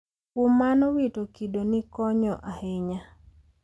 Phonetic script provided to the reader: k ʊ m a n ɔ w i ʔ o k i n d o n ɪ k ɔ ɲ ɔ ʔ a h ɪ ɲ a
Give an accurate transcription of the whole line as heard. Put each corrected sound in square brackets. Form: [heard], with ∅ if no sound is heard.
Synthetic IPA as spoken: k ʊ m a n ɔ w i [t] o k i [∅] d o n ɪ k ɔ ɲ ɔ ʔ a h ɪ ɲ a